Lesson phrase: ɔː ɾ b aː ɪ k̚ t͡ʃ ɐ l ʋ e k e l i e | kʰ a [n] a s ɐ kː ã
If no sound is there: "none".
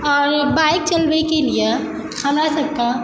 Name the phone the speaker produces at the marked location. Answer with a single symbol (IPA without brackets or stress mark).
n